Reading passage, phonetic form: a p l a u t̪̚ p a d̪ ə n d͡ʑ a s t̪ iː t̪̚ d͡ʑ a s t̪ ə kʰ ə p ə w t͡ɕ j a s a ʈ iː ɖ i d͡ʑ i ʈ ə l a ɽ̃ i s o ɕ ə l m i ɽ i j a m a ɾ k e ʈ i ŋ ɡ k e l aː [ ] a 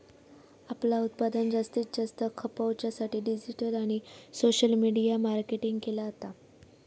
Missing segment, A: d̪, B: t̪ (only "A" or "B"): B